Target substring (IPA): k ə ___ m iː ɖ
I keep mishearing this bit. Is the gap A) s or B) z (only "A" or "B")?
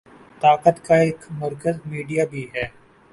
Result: B